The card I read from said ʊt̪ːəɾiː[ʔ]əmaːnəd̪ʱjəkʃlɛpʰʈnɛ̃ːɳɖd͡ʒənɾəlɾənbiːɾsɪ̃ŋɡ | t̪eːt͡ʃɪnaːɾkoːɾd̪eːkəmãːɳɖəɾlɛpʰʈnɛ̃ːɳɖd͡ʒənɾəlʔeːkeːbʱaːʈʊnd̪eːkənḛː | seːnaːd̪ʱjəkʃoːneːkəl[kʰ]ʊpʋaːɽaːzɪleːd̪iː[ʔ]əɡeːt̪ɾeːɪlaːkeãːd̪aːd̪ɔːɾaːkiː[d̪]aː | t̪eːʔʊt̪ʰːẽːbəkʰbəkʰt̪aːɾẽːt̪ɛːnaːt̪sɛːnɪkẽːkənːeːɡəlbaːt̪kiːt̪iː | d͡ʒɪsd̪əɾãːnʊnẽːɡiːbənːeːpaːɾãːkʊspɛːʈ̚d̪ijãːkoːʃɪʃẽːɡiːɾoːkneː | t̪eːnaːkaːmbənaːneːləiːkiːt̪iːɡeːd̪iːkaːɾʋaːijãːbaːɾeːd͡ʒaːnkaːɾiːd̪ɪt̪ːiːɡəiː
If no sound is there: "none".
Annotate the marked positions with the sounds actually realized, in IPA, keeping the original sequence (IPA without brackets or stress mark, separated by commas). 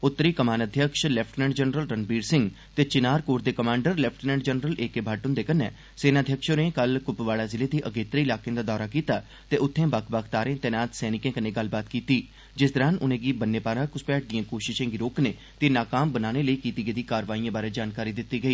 k, k, ʔ, t̪